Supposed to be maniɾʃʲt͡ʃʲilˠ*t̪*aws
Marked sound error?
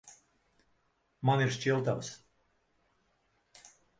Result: no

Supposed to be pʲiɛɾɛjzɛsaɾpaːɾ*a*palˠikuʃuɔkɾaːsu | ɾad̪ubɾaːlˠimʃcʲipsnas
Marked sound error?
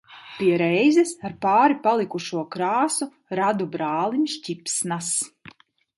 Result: yes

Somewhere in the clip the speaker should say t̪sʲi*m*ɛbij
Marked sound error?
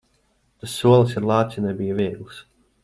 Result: yes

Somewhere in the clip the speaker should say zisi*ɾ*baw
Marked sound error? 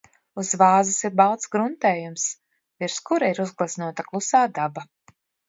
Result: no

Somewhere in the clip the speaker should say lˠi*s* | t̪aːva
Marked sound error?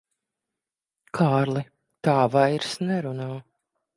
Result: yes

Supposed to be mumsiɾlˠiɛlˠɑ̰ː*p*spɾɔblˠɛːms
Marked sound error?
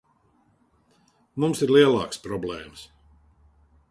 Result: yes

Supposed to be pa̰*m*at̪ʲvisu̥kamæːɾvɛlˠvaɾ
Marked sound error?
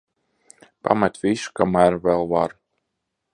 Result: no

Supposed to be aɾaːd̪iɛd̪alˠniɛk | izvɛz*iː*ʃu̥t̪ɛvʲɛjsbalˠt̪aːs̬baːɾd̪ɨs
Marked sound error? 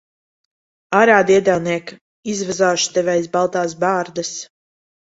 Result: yes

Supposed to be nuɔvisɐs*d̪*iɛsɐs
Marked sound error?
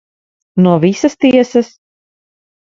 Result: yes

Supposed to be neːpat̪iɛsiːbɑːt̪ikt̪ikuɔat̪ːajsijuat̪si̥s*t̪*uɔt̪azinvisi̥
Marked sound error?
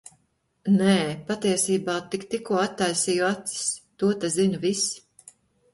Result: no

